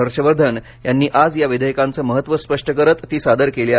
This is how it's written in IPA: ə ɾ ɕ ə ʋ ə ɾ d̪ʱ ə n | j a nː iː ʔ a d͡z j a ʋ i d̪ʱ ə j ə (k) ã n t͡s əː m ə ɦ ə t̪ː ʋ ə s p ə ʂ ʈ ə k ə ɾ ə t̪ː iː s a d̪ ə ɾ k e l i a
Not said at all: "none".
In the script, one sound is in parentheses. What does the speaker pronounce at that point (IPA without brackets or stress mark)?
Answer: k